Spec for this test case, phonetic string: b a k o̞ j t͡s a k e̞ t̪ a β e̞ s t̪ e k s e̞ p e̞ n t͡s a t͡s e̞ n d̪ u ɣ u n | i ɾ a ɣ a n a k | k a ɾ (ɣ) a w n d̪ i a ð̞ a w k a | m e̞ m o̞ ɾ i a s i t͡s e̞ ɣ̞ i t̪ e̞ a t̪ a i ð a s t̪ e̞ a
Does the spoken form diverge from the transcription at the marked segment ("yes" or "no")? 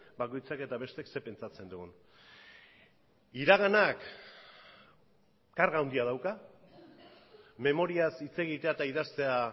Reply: no